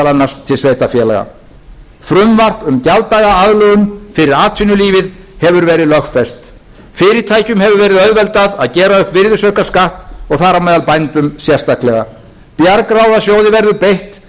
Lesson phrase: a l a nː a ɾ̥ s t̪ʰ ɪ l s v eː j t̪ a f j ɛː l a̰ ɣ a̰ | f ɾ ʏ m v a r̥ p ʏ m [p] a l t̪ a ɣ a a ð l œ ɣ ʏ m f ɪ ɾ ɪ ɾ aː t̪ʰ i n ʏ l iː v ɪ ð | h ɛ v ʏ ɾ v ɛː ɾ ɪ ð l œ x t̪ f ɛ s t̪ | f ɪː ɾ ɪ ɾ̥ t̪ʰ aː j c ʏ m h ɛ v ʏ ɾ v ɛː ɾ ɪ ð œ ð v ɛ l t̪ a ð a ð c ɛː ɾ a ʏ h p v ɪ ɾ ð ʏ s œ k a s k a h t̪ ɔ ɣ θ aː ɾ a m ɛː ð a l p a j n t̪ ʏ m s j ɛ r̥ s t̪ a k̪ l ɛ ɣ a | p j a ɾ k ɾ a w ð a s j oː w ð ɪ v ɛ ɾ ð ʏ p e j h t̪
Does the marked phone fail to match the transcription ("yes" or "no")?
yes